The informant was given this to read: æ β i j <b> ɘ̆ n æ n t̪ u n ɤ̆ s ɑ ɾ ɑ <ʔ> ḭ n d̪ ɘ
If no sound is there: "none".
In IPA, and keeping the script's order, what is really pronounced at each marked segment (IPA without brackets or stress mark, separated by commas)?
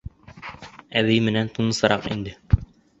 m, q